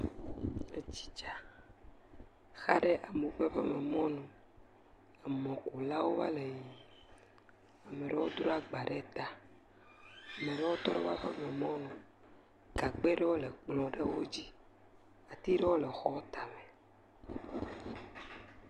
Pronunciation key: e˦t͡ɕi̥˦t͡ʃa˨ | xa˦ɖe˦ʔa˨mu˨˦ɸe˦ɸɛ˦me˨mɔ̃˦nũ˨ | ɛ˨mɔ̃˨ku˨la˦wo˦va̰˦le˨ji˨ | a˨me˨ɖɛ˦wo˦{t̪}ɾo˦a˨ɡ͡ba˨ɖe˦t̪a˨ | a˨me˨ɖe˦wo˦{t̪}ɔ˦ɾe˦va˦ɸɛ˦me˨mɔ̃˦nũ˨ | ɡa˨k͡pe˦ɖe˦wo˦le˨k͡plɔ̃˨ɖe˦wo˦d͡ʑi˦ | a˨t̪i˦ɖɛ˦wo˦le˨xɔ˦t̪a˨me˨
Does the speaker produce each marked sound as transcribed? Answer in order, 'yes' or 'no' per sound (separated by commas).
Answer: no, yes